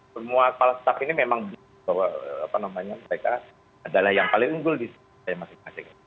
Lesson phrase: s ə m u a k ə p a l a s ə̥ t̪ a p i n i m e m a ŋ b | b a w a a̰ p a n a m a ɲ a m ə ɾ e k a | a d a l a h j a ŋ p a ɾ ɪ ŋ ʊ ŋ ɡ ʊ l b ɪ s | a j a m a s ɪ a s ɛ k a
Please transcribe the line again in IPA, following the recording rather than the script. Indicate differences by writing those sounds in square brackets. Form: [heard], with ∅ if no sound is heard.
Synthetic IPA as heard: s ə m u a k ə p a l a s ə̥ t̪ a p i n i m e m a ŋ b | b a w a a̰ p a n a m a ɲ a m ə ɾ e k a | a d a l a h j a ŋ p a [l] ɪ ŋ [u] ŋ ɡ ʊ l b [i] s | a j a m a s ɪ a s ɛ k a